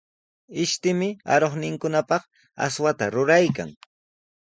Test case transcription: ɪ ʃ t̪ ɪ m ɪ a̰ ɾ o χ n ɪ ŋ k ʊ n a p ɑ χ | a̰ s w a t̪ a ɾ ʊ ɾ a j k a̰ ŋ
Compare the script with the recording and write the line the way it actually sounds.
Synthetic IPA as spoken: ɪ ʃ t̪ ɪ m ɪ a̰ ɾ o χ n ɪ ŋ k ʊ n a p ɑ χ | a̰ s w a t̪ a ɾ ʊ ɾ a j k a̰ ŋ